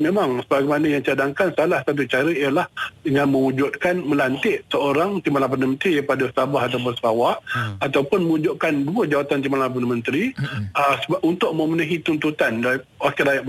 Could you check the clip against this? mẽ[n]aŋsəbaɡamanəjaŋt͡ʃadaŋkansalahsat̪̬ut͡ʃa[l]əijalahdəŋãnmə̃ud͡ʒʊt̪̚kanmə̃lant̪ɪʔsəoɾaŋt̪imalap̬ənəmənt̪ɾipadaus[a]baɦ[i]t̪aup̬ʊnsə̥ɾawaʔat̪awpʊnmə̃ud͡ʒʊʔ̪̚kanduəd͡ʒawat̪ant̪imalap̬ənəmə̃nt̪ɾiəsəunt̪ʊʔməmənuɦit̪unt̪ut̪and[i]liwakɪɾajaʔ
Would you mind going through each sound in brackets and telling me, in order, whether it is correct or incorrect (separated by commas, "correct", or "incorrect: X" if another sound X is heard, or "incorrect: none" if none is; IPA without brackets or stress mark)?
incorrect: m, incorrect: ɾ, correct, incorrect: a, incorrect: a